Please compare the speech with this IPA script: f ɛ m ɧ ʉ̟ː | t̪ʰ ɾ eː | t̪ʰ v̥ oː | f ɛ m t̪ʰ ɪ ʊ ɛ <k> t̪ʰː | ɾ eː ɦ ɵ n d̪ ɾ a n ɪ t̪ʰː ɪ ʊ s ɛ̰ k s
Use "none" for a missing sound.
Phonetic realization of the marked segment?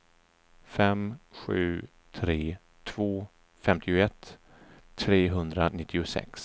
none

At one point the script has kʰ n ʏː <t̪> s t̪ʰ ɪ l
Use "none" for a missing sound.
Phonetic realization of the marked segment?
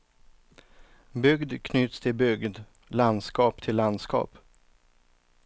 t̪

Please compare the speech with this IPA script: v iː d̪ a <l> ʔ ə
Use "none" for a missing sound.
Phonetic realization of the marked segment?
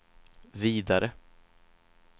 ɾ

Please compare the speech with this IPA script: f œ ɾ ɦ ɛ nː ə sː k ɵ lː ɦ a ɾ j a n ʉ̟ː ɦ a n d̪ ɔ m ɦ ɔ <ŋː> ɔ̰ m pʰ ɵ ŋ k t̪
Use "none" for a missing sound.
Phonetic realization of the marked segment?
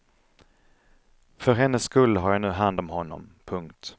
nː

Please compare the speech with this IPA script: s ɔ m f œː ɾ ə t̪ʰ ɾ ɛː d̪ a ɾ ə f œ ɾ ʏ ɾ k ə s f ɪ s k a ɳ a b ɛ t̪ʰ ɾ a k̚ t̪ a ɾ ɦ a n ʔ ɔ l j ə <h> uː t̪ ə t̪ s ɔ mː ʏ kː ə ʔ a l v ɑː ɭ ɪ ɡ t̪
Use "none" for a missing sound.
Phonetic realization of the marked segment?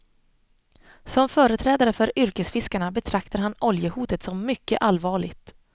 h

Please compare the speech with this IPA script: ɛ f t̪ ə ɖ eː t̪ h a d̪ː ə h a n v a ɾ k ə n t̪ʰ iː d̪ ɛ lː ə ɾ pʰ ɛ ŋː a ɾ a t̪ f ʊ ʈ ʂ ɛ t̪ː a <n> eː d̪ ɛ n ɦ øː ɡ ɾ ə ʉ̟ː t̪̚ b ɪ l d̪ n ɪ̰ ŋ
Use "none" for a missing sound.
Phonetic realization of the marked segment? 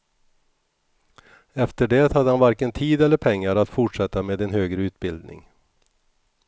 m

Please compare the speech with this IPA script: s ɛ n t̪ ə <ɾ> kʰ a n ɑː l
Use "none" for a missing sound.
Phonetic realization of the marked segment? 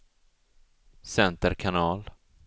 ɾ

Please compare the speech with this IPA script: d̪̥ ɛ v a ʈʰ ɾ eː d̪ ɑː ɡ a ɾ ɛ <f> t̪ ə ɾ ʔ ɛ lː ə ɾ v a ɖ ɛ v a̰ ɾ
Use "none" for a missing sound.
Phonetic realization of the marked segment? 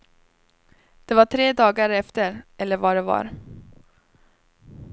f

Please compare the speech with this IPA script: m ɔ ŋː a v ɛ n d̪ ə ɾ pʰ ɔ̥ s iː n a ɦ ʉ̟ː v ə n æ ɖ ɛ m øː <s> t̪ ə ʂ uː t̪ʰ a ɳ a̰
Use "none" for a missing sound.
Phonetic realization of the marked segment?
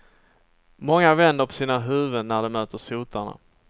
none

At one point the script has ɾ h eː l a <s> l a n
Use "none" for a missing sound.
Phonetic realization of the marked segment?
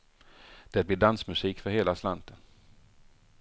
s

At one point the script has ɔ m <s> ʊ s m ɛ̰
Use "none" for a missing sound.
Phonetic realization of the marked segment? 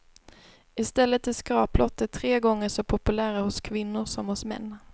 h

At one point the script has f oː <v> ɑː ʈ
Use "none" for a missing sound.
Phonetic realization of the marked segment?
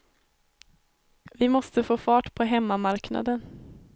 f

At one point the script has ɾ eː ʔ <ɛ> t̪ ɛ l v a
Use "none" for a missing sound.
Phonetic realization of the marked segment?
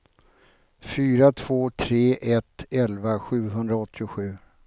ɛ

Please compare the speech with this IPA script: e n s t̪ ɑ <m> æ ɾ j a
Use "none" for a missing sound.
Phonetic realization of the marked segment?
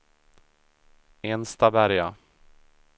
b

